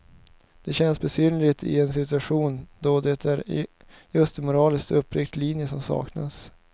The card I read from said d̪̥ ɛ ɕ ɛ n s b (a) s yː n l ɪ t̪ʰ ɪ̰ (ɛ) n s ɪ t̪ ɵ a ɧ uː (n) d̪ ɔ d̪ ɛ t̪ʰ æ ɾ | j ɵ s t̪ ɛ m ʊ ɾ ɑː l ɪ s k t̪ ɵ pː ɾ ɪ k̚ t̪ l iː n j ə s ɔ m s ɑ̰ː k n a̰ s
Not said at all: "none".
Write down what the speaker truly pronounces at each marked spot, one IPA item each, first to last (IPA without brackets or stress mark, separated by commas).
ɛ, ɛ, n